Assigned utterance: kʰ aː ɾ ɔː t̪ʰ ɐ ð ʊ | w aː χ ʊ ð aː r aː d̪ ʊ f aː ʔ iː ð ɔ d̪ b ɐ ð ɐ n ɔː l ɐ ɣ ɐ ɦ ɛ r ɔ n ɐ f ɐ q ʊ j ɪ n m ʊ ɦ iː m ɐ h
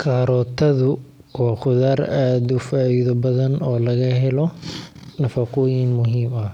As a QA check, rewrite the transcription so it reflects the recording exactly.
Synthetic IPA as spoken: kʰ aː ɾ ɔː t̪ʰ ɐ ð ʊ | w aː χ ʊ ð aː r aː d̪ ʊ f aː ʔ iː ð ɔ b ɐ ð ɐ n ɔː l ɐ ɣ ɐ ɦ ɛ l ɔ n ɐ f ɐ q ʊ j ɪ n m ʊ ɦ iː m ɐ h